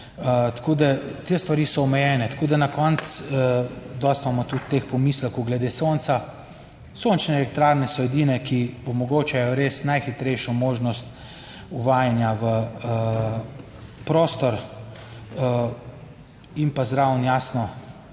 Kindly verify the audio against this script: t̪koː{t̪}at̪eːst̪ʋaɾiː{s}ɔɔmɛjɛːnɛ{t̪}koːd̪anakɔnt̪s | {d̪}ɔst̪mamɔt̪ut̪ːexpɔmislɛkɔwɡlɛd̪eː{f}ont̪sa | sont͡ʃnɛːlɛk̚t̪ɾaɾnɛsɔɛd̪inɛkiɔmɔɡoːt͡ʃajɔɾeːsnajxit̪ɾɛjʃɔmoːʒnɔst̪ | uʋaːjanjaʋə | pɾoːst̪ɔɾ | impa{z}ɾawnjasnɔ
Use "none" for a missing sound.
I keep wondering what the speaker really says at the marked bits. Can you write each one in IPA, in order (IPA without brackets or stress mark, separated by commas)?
d̪, s, t̪, d̪, s, z